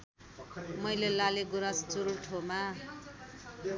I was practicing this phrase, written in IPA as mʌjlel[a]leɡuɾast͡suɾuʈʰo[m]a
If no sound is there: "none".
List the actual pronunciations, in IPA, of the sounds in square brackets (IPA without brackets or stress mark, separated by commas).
a, m